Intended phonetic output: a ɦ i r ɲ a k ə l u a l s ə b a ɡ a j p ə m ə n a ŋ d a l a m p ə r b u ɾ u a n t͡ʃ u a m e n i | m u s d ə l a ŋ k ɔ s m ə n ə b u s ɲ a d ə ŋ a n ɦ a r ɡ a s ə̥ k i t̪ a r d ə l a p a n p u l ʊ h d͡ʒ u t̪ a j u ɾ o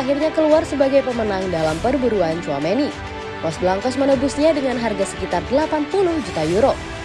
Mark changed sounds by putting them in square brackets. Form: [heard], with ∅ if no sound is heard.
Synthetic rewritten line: a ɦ i r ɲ a k ə l u a [r] s ə b a ɡ a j p ə m ə n a ŋ d a l a m p ə r b u ɾ u a n t͡ʃ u a m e n i | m [ɔ] s [b] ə l a ŋ k ɔ s m ə n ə b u s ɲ a d ə ŋ a n ɦ a r ɡ a s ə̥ k i t̪ a r d ə l a p a n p u l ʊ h d͡ʒ u t̪ a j u ɾ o